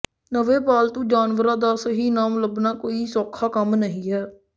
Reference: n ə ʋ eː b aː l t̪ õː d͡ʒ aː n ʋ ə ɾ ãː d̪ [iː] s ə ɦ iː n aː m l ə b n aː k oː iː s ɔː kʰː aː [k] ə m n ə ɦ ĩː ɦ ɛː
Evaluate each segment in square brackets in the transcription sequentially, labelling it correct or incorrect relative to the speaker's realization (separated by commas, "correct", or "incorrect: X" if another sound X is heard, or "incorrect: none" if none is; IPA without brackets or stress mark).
incorrect: aː, correct